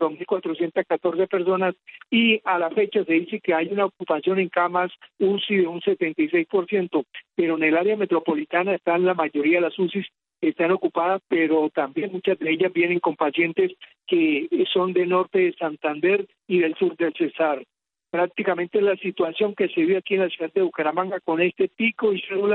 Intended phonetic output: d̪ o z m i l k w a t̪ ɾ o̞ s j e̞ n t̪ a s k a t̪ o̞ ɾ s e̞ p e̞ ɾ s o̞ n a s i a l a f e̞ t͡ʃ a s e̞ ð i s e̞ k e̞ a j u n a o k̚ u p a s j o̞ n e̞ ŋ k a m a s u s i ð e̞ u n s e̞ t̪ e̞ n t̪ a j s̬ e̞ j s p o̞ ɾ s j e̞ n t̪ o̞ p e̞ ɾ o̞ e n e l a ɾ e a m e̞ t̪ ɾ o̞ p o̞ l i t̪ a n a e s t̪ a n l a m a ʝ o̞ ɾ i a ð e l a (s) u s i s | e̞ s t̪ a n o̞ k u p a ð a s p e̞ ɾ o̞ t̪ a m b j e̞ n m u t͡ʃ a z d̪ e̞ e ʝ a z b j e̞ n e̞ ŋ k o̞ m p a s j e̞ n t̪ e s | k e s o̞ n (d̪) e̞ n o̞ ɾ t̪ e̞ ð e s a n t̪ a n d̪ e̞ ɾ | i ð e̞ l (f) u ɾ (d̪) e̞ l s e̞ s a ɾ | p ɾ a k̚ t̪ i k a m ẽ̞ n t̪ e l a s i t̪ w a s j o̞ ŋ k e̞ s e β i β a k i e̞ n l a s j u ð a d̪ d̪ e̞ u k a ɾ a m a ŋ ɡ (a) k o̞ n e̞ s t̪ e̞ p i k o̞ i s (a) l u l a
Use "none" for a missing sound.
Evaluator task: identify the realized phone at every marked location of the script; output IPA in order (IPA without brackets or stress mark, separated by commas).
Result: s, d̪, s, d̪, a, e